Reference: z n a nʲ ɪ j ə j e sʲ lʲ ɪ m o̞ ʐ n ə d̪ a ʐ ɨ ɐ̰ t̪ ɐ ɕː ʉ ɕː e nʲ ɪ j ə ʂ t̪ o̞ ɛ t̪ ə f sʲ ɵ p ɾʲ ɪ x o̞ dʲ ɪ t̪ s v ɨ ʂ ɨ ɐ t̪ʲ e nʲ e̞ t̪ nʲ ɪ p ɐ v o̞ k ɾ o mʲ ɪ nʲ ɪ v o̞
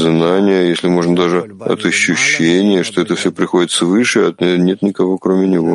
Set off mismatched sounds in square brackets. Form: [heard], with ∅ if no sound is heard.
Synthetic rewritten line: z n a nʲ ɪ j ə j e sʲ lʲ ɪ m o̞ ʐ n ə d̪ a ʐ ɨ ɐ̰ t̪ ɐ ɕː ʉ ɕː e nʲ ɪ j ə ʂ t̪ o̞ ɛ t̪ ə f sʲ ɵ p ɾʲ ɪ x o̞ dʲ ɪ t̪ s v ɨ ʂ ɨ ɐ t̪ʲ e nʲ e̞ t̪ nʲ ɪ [k] ɐ v o̞ k ɾ o mʲ ɪ nʲ ɪ v o̞